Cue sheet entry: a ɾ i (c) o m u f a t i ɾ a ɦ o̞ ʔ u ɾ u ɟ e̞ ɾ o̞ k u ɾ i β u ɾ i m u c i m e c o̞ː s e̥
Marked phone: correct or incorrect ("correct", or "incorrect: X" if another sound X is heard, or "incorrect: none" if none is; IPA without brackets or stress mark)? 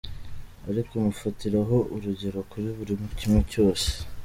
incorrect: k